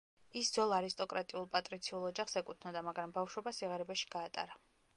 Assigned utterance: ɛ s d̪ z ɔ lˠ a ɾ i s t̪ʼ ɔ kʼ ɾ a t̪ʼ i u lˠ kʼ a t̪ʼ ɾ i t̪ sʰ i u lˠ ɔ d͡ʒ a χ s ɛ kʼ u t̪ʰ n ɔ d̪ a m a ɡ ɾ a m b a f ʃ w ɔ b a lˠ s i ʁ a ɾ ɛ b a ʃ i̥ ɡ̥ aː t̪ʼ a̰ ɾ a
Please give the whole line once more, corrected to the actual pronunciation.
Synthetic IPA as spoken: i s d̪ z ɔ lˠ a ɾ i s t̪ʼ ɔ kʼ ɾ a t̪ʼ i u lˠ pʼ a t̪ʼ ɾ i t̪ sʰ i u lˠ ɔ d͡ʒ a χ s ɛ kʼ u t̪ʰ n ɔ d̪ a m a ɡ ɾ a m b a f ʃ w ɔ b a s i ʁ a ɾ ɛ b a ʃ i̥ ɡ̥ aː t̪ʼ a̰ ɾ a